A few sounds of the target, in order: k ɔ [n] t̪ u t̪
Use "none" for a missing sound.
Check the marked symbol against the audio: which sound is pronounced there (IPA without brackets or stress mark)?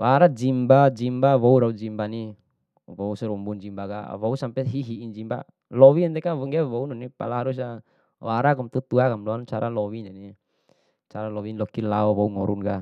m